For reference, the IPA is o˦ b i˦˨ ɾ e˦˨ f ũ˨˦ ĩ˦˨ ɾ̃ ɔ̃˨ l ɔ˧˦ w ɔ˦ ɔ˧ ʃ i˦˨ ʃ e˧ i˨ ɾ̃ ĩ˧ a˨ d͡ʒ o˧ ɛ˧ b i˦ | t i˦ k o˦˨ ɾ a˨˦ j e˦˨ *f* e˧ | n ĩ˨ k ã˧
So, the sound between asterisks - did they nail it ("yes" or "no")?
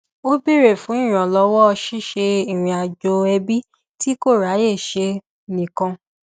no